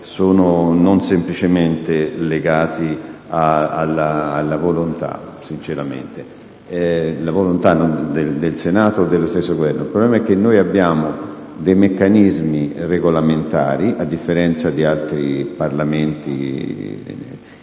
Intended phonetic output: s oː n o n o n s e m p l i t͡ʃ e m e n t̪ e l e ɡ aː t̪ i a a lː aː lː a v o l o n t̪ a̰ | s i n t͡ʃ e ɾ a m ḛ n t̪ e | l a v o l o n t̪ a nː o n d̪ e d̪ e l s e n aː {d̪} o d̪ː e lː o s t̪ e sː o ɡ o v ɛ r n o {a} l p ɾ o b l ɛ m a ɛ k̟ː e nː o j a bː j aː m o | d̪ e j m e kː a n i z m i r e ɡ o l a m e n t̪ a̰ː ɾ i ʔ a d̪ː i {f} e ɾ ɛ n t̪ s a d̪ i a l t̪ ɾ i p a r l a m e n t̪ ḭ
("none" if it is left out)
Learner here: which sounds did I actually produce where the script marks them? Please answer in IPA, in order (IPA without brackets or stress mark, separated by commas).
t̪, i, fː